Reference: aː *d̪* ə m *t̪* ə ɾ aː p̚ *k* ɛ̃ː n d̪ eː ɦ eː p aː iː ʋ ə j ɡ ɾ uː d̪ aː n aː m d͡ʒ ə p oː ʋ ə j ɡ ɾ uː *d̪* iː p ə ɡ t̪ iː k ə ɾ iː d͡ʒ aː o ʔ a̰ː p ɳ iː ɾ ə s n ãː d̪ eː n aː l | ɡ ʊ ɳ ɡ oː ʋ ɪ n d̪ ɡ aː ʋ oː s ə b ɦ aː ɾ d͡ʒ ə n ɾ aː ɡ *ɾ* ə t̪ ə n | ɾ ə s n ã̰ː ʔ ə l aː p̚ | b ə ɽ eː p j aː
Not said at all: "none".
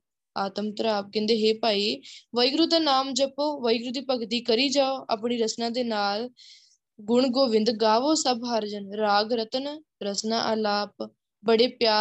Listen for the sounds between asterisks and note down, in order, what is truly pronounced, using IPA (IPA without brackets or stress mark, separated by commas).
t̪, t̪, k, d̪, ɾ